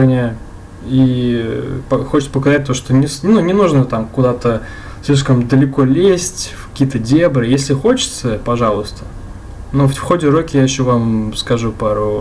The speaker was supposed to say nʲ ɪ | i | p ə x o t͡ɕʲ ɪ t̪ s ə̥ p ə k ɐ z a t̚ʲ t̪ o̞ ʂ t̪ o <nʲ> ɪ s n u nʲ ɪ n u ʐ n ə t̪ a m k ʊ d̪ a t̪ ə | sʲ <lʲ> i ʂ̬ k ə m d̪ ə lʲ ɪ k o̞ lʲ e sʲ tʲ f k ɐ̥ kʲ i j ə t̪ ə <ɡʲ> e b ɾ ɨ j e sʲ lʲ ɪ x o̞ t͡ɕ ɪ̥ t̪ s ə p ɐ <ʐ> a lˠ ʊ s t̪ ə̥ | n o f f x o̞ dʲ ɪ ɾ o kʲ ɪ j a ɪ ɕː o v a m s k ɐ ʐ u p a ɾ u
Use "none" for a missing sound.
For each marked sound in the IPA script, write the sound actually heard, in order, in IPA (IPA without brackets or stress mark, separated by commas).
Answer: nʲ, lʲ, dʲ, ʐ